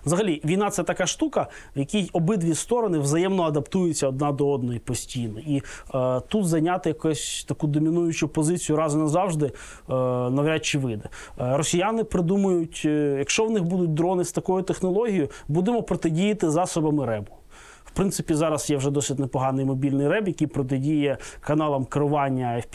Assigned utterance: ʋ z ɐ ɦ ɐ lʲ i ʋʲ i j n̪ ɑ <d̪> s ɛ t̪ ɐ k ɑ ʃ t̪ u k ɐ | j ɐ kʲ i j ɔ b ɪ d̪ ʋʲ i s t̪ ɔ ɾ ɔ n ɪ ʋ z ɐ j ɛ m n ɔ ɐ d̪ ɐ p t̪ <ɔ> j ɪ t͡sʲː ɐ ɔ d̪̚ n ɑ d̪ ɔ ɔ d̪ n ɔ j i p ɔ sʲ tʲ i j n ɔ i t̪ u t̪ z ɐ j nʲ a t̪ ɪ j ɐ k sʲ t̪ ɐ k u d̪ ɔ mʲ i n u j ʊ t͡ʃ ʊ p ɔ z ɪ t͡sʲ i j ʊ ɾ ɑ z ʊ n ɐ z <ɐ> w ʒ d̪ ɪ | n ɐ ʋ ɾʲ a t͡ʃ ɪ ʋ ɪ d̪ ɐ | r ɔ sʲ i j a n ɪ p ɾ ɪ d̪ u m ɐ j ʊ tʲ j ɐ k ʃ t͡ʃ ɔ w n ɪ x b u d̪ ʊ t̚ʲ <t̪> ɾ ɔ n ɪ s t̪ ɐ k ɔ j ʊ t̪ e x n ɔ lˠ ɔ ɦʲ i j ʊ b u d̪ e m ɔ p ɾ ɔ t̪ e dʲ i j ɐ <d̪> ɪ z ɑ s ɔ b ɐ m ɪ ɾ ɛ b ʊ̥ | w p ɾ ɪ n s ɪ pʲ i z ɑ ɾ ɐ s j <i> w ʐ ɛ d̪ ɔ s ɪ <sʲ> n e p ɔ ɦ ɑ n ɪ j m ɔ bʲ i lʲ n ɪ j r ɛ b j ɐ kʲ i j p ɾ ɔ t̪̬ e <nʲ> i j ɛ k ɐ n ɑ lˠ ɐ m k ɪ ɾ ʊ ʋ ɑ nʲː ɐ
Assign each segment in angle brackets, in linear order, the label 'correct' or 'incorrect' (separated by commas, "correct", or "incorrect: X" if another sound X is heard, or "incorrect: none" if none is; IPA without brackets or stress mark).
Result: incorrect: t̪, incorrect: u, incorrect: ɑ, incorrect: d̪, incorrect: t̪, incorrect: ɛ, incorrect: tʲ, incorrect: dʲ